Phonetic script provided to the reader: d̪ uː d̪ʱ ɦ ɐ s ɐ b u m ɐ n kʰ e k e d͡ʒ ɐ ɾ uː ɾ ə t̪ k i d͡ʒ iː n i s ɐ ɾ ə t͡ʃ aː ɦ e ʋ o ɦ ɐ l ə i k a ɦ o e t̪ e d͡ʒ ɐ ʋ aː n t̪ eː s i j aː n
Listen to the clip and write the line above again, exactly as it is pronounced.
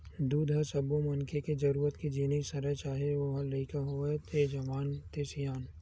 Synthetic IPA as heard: d̪ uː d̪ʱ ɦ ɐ s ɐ b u m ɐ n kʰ e k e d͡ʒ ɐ ɾ uː ɾ ə t̪ k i d͡ʒ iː n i s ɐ ɾ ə t͡ʃ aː ɦ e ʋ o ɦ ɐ l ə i k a ɦ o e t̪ e d͡ʒ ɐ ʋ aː n t̪ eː s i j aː n